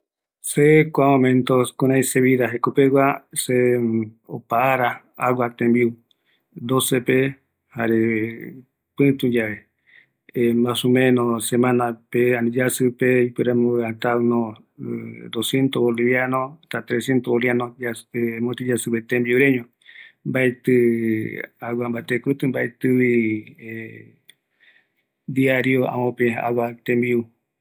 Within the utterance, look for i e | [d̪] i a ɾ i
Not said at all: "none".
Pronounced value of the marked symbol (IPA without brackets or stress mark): d̪